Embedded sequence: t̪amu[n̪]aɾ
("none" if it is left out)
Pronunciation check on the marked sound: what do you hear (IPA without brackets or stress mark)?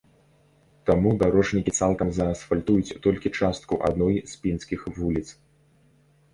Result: d̪